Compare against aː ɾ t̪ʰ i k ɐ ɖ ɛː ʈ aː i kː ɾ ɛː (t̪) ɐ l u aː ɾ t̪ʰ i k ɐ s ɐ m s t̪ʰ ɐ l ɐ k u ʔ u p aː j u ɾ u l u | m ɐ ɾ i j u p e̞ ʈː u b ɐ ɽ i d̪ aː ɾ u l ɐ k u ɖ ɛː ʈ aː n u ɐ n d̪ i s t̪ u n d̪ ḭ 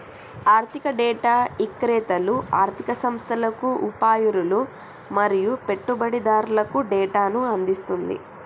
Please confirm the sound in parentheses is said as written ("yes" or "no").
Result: yes